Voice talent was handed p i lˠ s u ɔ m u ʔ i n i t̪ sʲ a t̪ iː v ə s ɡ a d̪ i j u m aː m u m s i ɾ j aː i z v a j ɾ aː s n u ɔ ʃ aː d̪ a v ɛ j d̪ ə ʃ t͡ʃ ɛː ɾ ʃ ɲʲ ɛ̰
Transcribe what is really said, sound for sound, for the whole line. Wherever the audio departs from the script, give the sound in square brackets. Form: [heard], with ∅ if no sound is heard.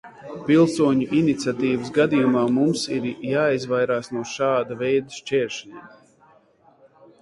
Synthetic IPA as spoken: p i lˠ s u ɔ [ɲ] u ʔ i n i t̪ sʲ a t̪ iː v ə s ɡ a d̪ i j u m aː m u m s i ɾ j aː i z v a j ɾ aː s n u ɔ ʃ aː d̪ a v ɛ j d̪ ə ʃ t͡ʃ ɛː ɾ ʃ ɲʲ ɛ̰